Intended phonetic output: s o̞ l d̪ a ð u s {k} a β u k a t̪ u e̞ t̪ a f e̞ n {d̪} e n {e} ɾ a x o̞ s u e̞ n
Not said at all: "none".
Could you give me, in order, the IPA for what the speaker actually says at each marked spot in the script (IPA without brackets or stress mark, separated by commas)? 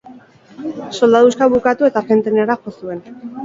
k, t̪, e